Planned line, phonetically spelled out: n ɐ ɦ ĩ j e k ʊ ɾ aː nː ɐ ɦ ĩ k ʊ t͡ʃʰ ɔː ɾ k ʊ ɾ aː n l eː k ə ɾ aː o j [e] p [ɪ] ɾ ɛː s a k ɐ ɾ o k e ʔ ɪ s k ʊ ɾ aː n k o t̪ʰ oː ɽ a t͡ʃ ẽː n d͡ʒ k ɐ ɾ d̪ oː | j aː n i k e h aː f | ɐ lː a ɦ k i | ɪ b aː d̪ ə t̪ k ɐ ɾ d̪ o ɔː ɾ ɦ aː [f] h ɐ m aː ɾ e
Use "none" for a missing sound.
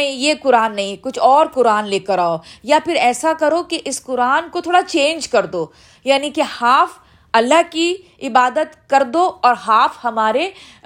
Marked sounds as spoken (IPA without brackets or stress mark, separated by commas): a, ɪ, f